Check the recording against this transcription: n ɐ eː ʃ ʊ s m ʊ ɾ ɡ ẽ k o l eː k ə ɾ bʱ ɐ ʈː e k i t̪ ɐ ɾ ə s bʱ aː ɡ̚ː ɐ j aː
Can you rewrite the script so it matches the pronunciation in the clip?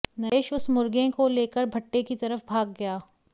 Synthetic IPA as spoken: n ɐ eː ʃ ʊ s m ʊ ɾ ɡ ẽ k o l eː k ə ɾ bʱ ɐ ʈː e k i t̪ ɐ ɾ ə f bʱ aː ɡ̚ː ɐ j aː